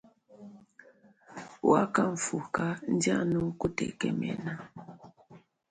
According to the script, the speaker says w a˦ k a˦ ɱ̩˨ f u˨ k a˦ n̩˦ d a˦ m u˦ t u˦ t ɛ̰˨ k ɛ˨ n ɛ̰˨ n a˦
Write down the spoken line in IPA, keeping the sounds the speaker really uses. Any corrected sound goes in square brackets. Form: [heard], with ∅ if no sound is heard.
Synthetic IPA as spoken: w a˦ k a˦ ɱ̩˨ f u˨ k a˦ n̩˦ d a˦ [n] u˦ [k] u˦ t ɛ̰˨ k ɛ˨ [m] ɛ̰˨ n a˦